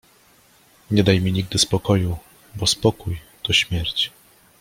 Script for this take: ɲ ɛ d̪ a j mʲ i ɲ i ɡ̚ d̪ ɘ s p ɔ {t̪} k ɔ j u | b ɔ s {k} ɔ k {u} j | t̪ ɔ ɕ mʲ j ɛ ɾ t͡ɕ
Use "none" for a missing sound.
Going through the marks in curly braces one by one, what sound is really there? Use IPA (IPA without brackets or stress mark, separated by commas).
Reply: none, p, u